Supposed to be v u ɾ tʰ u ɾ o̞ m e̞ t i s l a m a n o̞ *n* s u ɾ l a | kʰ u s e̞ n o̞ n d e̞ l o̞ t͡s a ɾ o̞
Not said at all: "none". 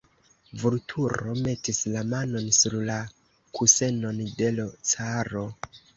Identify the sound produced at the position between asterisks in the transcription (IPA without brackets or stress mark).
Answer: n